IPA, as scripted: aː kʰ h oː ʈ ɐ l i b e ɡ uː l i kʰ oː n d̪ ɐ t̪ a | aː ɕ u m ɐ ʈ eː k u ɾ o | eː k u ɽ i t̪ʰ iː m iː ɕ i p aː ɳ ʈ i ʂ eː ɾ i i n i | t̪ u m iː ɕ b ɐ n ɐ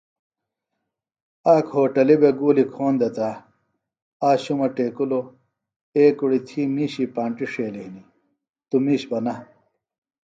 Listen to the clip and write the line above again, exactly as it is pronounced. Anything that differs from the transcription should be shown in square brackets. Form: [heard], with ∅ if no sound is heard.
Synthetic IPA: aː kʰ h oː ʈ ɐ l i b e ɡ uː l i kʰ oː n d̪ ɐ t̪ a | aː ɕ u m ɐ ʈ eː k u [l] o | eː k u ɽ i t̪ʰ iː m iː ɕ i p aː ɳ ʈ i ʂ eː [l] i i n i | t̪ u m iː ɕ b ɐ n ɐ

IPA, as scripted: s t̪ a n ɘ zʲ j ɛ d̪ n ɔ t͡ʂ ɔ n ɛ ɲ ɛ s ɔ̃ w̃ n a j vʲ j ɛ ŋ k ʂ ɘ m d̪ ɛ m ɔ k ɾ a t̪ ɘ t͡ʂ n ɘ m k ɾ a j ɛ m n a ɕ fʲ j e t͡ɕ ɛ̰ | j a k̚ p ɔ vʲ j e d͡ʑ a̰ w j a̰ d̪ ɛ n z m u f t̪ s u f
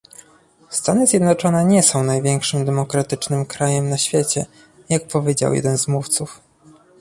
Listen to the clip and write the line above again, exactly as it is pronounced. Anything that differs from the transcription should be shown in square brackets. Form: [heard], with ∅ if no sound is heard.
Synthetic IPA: s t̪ a n ɘ zʲ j ɛ d̪ n ɔ t͡ʂ ɔ n ɛ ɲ ɛ s ɔ̃ w̃ n a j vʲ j ɛ ŋ k ʂ ɘ m d̪ ɛ m ɔ k ɾ a t̪ ɘ t͡ʂ n ɘ m k ɾ a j ɛ m n a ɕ fʲ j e t͡ɕ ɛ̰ | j a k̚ p ɔ vʲ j e d͡ʑ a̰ w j [ɛ̰] d̪ ɛ n z m u f t̪ s u f

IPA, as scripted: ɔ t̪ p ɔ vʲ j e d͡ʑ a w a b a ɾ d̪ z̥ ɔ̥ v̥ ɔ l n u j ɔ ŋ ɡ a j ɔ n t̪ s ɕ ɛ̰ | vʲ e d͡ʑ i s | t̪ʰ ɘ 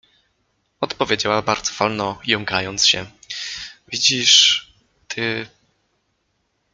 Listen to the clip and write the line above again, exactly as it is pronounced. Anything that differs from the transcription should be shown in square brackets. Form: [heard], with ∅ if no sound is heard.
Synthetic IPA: ɔ t̪ p ɔ vʲ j e d͡ʑ a w a b a ɾ d̪ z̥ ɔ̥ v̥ ɔ l n [ɔ] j ɔ ŋ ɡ a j ɔ n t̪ s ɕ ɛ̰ | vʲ [i] d͡ʑ i [ʂ] | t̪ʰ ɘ

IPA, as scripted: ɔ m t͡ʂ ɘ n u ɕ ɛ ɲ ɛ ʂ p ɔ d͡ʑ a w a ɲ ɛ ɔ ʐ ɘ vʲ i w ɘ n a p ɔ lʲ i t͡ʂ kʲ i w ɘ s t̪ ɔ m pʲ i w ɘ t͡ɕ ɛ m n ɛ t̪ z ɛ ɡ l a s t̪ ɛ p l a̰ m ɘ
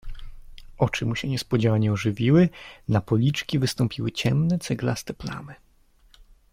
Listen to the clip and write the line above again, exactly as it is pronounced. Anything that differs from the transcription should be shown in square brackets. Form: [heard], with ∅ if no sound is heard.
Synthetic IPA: ɔ [∅] t͡ʂ ɘ [m] u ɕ ɛ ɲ ɛ [s] p ɔ d͡ʑ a w a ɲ ɛ ɔ ʐ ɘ vʲ i w ɘ n a p ɔ lʲ i t͡ʂ kʲ i [v] ɘ s t̪ ɔ m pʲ i w ɘ t͡ɕ ɛ m n ɛ t̪ [s] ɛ ɡ l a s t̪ ɛ p l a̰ m ɘ

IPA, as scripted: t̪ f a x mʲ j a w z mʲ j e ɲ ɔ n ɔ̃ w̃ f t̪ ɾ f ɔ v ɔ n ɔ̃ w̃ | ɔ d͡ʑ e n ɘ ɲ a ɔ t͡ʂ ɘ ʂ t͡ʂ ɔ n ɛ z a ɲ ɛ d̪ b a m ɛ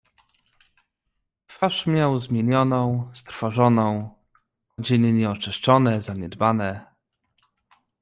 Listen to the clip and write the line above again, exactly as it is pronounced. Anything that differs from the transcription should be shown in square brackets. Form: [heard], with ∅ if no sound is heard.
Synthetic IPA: t̪ f a [ʂ] mʲ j a w z mʲ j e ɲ ɔ n ɔ̃ w̃ [s] t̪ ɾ f ɔ [ʐ] ɔ n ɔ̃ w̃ | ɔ d͡ʑ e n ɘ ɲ [ɛ] ɔ t͡ʂ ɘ ʂ t͡ʂ ɔ n ɛ z a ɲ ɛ d̪ b a [n] ɛ

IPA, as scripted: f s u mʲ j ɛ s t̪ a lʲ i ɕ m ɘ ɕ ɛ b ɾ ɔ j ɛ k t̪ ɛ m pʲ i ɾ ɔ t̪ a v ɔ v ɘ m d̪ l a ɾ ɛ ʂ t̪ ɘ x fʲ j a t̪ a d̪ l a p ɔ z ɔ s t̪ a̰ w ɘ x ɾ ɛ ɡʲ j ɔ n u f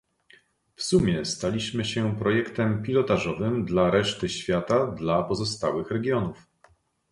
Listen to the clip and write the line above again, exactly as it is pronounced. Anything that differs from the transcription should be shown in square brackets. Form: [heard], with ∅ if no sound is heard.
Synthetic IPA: f s u mʲ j ɛ s t̪ a lʲ i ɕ m ɘ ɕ ɛ [p] ɾ ɔ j ɛ k t̪ ɛ m pʲ i [l] ɔ t̪ a [ʐ] ɔ v ɘ m d̪ l a ɾ ɛ ʂ t̪ ɘ [ɕ] fʲ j a t̪ a d̪ l a p ɔ z ɔ s t̪ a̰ w ɘ x ɾ ɛ ɡʲ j ɔ n u f

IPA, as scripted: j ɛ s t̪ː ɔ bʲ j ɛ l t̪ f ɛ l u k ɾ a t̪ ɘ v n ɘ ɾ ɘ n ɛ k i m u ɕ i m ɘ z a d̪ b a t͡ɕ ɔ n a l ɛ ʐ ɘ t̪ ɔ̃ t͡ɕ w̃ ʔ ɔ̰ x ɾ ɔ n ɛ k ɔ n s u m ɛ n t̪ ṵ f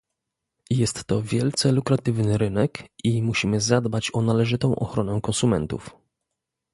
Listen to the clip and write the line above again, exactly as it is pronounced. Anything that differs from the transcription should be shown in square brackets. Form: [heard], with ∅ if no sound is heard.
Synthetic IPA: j ɛ s t̪ː ɔ [vʲ] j ɛ l t̪ [s] ɛ l u k ɾ a t̪ ɘ v n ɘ ɾ ɘ n ɛ k i m u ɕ i m ɘ z a d̪ b a t͡ɕ ɔ n a l ɛ ʐ ɘ t̪ ɔ̃ [∅] w̃ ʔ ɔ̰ x ɾ ɔ n ɛ k ɔ n s u m ɛ n t̪ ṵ f

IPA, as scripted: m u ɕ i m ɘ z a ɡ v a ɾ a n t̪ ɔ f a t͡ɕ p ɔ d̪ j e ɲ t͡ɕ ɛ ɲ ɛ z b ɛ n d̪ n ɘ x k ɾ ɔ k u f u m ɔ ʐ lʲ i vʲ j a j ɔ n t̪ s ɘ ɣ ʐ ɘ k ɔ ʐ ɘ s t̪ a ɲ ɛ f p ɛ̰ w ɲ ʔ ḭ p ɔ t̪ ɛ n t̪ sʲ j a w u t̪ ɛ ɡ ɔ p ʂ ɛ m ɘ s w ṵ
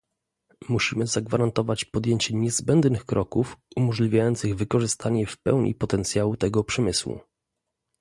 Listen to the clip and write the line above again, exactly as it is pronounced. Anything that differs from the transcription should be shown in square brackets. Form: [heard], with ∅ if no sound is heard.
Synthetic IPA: m u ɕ i m ɘ z a ɡ v a ɾ a n t̪ ɔ [v] a t͡ɕ p ɔ d̪ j e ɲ t͡ɕ ɛ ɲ ɛ z b ɛ n d̪ n ɘ x k ɾ ɔ k u f u m ɔ ʐ lʲ i vʲ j a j ɔ n t̪ s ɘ ɣ [v] ɘ k ɔ ʐ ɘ s t̪ a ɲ ɛ f p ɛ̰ w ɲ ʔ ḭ p ɔ t̪ ɛ n t̪ sʲ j a w u t̪ ɛ ɡ ɔ p ʂ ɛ m ɘ s w ṵ

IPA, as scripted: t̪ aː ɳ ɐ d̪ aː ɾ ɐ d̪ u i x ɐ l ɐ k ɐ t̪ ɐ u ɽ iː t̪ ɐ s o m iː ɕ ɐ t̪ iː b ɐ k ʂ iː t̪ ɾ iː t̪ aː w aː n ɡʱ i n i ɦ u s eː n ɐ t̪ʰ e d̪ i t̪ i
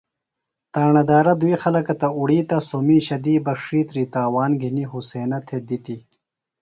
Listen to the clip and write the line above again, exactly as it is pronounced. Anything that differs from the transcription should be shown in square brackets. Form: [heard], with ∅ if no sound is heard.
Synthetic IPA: t̪ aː ɳ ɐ d̪ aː ɾ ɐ d̪ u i x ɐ l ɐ k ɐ t̪ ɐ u ɽ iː t̪ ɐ s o m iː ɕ ɐ [d̪] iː b ɐ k ʂ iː t̪ ɾ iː t̪ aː w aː n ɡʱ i n i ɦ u s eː n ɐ t̪ʰ e d̪ i t̪ i

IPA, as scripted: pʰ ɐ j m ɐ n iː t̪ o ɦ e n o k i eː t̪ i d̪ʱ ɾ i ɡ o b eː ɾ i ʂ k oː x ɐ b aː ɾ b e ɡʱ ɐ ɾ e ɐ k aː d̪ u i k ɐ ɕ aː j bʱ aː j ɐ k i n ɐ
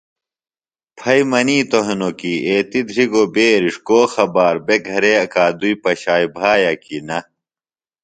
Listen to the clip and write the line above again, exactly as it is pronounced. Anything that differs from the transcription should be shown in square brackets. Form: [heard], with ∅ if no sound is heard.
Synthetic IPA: pʰ ɐ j m ɐ n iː t̪ o ɦ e n o k i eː t̪ i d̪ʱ ɾ i ɡ o b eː ɾ i ʂ k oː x ɐ b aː ɾ b e ɡʱ ɐ ɾ e ɐ k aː d̪ u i [p] ɐ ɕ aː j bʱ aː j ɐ k i n ɐ

